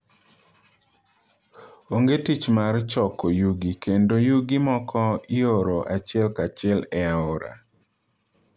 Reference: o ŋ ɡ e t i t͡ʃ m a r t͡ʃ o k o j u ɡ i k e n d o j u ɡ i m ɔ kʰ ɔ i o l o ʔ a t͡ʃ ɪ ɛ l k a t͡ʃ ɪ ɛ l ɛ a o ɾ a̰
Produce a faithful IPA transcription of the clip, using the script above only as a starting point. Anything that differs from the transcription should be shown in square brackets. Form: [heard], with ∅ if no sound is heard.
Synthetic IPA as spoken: o ŋ ɡ e t i t͡ʃ m a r t͡ʃ [ɔ] k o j u ɡ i k e n d o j u ɡ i m ɔ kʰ ɔ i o [ɾ] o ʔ a t͡ʃ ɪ ɛ l k a t͡ʃ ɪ ɛ l ɛ a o ɾ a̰